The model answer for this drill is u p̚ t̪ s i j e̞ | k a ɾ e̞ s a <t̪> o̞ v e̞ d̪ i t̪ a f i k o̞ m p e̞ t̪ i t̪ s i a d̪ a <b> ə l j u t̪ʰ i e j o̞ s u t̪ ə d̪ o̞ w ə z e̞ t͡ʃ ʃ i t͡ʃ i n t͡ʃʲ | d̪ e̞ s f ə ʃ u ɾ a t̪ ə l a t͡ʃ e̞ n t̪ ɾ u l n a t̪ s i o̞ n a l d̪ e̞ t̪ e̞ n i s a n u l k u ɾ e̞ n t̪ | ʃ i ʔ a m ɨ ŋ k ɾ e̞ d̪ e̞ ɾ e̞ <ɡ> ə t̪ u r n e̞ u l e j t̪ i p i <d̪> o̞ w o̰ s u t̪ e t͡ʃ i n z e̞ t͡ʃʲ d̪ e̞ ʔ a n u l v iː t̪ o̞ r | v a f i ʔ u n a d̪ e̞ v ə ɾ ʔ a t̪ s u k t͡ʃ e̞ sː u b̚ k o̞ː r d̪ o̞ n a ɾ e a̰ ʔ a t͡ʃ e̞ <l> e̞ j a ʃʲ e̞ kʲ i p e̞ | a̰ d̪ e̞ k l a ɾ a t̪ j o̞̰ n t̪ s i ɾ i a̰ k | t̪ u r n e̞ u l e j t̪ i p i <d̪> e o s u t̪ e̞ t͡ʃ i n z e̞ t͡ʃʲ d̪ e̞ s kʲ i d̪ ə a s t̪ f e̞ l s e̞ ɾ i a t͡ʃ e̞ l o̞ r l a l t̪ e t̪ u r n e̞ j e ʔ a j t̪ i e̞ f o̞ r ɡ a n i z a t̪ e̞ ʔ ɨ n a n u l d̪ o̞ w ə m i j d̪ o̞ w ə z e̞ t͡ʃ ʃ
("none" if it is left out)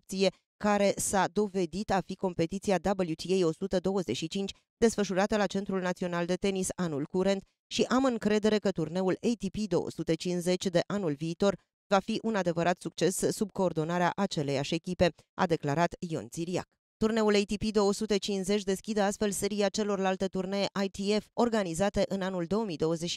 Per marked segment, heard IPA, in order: d̪, b, k, d̪, l, d̪

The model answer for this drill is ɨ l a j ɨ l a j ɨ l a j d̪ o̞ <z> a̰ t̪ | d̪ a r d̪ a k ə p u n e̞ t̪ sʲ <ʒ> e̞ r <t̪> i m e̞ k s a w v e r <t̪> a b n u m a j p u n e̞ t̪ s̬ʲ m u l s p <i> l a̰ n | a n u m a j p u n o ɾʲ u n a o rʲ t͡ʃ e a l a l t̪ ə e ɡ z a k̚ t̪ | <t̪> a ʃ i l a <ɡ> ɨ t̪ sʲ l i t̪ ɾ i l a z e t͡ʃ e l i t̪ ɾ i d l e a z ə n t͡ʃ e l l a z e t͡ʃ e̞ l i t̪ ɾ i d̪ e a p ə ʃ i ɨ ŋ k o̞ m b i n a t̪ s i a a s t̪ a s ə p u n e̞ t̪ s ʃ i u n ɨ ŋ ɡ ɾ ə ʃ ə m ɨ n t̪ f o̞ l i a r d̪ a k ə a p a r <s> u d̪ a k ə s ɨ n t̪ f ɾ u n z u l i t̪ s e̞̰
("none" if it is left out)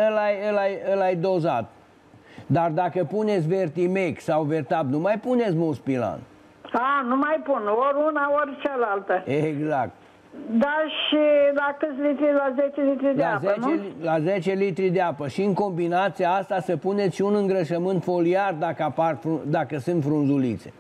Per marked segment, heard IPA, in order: z, v, t̪, t̪, i, d̪, k, f

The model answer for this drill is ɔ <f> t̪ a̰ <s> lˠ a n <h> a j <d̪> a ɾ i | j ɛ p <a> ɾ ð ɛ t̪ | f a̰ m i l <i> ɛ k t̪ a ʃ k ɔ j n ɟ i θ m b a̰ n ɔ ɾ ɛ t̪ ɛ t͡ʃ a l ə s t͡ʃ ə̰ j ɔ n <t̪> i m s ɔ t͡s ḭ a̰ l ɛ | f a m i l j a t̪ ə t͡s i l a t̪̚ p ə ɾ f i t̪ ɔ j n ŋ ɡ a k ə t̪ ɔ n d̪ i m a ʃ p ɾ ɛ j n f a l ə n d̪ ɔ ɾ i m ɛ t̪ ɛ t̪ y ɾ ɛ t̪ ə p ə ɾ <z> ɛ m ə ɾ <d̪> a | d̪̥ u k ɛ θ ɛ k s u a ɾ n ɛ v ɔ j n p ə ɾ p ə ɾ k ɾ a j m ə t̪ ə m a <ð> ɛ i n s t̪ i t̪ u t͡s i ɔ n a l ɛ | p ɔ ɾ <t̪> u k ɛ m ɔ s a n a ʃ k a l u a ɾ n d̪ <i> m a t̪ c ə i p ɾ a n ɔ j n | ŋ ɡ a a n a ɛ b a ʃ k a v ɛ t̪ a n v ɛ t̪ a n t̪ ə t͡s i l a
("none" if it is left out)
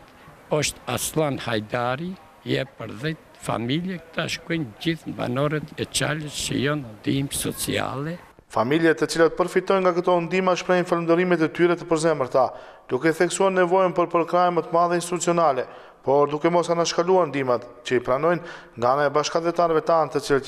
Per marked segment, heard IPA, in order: ʃ, s, h, d̪, ə, j, d̪, z, t̪, ð, d̪, i

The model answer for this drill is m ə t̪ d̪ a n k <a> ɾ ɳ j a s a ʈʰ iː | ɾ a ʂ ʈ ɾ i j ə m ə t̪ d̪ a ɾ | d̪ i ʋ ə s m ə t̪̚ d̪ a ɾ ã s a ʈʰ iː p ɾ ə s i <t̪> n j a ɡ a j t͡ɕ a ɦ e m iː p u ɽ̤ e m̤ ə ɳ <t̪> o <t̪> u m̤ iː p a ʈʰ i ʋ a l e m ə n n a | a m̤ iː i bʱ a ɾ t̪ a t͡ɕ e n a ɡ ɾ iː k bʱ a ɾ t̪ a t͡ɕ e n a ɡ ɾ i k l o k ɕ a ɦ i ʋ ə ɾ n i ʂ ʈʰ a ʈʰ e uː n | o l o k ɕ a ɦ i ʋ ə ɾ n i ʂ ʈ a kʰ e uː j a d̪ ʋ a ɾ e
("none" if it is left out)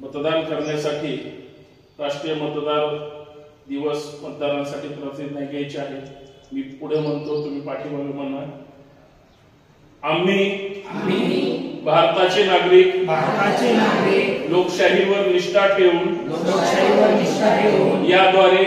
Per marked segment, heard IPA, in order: ə, d̪, t̪, t̪

